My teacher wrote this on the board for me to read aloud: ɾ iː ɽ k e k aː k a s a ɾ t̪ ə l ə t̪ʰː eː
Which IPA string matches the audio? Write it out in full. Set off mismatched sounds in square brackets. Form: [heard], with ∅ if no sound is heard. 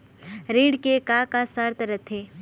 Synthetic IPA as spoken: ɾ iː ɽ k e k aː k a s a ɾ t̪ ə [ɾ] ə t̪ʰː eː